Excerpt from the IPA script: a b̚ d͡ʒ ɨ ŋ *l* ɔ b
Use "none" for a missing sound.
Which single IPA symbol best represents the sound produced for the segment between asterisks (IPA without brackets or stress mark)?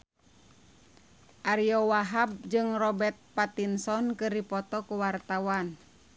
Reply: r